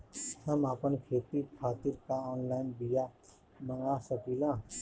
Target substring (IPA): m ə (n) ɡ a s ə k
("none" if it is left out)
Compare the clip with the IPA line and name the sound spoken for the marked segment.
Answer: ŋ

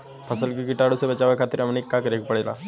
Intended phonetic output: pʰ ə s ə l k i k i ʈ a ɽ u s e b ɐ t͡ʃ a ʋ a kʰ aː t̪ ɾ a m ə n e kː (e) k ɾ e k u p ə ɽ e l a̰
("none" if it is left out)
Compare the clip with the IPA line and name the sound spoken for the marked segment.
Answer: a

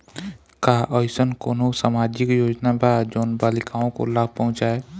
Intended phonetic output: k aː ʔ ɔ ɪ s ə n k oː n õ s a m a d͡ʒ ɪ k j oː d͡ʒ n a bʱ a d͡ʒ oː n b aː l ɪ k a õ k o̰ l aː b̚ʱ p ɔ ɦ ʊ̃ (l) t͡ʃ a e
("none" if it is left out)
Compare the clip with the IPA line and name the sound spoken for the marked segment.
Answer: none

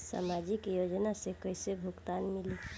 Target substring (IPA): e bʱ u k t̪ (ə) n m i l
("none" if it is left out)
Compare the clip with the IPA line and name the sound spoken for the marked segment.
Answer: a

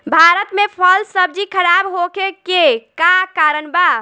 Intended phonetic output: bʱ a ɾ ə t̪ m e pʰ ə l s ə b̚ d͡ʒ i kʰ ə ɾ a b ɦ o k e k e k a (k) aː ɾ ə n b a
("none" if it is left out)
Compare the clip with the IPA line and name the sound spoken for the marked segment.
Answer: k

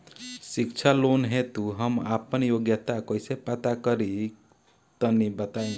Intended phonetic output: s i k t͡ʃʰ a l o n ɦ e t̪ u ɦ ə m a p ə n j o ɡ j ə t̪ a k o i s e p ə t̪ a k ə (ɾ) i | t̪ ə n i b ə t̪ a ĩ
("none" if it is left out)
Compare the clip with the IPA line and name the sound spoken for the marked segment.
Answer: ɾ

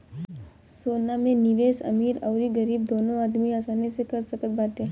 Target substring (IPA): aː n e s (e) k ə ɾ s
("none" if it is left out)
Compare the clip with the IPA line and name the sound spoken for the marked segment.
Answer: e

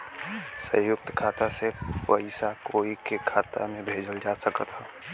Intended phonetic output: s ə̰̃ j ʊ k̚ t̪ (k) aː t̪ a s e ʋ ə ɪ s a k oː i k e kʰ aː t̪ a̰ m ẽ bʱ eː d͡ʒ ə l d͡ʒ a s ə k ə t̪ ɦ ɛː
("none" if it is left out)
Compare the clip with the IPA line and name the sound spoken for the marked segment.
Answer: kʰ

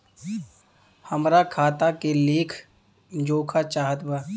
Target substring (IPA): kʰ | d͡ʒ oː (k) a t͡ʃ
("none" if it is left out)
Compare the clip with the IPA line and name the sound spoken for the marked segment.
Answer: kʰ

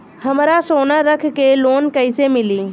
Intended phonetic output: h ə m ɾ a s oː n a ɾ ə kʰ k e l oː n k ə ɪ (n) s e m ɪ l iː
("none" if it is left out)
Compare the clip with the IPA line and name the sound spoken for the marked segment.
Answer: none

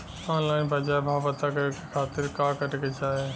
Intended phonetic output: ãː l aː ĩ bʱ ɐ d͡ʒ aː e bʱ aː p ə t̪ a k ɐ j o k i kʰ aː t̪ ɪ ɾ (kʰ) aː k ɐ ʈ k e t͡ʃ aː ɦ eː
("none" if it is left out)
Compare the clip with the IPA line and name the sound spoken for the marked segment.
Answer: k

